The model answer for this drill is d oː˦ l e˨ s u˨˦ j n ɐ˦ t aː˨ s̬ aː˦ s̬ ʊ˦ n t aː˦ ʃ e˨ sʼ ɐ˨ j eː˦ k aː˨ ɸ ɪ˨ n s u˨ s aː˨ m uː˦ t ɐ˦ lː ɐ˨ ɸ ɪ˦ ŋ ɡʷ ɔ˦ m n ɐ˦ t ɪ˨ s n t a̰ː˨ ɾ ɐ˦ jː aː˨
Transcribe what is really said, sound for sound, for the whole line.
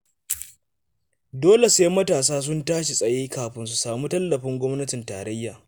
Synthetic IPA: d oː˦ l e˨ s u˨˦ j m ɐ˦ t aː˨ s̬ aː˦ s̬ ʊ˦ n t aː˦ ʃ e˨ sʼ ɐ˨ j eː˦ k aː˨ ɸ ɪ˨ n s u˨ s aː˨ m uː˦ t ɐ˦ lː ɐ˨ ɸ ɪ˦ ŋ ɡʷ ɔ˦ m n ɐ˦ t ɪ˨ n t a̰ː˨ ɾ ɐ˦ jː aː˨

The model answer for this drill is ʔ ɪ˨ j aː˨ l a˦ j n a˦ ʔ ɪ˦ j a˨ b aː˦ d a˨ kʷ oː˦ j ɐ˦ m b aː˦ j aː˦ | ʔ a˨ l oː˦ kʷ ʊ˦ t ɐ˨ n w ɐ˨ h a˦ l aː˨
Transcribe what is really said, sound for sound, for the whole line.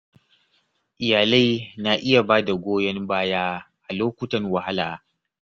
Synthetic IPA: ʔ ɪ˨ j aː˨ l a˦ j n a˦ ʔ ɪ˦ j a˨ b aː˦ d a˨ ɡʷ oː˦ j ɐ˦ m b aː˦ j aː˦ | ʔ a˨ l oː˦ kʷ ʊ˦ t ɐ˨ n w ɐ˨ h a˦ l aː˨

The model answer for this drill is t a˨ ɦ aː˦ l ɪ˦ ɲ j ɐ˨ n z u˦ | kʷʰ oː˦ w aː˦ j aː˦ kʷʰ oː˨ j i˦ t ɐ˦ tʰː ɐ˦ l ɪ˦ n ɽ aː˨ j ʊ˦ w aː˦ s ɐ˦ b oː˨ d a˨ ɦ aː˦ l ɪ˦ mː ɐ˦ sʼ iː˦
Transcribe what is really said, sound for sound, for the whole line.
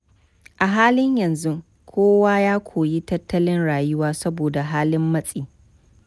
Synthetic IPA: ʔ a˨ ɦ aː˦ l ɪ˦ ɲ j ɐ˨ n z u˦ | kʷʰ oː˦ w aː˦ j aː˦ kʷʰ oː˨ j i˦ t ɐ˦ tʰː ɐ˦ l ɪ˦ n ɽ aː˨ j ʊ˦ w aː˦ s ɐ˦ b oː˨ d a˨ ɦ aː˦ l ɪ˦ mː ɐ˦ sʼ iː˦

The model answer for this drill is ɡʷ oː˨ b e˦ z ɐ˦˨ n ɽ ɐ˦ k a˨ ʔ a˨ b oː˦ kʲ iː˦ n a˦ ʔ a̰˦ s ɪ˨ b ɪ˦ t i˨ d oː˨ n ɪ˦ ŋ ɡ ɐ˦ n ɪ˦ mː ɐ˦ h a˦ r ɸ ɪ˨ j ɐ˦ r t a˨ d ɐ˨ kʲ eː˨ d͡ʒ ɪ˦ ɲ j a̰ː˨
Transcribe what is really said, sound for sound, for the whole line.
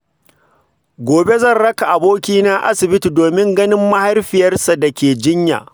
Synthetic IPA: ɡʷ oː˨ b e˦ z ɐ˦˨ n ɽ ɐ˦ k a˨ ʔ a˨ b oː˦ kʲ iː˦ n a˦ ʔ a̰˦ s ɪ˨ b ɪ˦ t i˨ d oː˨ m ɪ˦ ŋ ɡ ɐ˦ n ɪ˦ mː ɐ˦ h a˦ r ɸ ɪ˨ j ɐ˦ r s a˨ d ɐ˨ kʲ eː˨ d͡ʒ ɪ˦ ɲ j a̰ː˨

